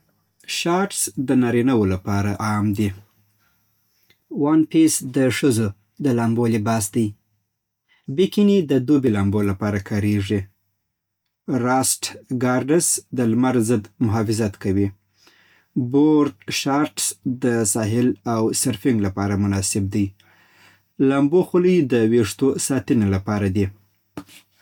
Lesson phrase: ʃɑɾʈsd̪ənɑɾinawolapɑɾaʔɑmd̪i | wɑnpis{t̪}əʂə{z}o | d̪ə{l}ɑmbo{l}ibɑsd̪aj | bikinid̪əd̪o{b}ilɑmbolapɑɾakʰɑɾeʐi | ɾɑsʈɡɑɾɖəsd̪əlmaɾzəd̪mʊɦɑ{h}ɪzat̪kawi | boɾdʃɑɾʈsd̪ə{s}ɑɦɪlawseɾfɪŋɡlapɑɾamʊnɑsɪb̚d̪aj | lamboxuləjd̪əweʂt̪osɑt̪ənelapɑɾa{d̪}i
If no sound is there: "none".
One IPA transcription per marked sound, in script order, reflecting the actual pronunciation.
d̪, z, l, l, b, f, s, d̪

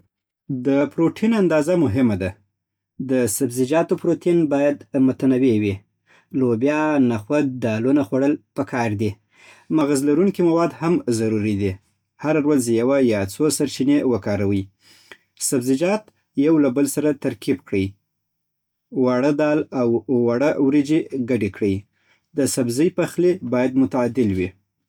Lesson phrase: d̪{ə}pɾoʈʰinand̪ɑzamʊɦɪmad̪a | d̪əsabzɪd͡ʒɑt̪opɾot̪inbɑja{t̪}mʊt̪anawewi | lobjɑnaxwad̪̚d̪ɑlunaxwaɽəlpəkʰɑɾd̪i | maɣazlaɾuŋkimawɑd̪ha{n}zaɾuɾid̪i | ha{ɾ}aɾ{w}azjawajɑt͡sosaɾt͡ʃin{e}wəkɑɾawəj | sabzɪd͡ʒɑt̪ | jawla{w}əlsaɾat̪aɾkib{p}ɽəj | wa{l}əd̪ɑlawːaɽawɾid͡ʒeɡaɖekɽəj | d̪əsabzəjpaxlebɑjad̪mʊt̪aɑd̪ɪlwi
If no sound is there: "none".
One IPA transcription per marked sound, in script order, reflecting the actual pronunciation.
ə, d̪, m, ɾ, w, e, b, k, ɽ

